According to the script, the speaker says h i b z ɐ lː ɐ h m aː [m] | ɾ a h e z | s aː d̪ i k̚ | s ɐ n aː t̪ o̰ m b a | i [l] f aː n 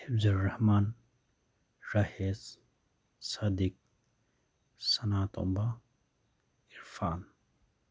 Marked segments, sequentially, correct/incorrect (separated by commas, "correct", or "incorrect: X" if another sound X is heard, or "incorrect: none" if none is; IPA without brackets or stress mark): incorrect: n, incorrect: ɾ